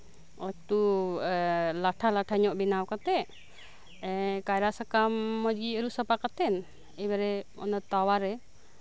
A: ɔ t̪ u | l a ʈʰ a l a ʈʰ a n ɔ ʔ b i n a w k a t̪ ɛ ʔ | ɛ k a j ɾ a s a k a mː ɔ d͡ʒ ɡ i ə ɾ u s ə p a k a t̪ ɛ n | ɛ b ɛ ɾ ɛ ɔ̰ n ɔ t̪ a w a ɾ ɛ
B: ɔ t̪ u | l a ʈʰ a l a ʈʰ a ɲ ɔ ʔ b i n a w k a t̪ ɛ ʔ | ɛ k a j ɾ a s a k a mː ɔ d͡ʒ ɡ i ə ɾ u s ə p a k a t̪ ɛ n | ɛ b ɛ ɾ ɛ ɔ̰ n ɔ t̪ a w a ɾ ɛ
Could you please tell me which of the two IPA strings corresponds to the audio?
B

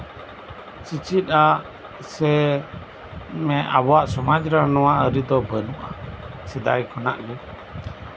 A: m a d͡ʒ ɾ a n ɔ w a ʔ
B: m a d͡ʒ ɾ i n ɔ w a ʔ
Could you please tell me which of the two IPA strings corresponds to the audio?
A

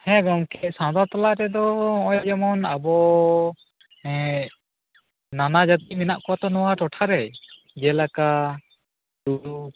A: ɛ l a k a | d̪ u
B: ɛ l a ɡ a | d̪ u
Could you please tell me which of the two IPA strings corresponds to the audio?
A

